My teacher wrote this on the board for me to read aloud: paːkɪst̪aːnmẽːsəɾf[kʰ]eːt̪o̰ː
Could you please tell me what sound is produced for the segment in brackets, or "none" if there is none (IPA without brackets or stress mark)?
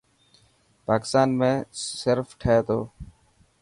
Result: ʈʰ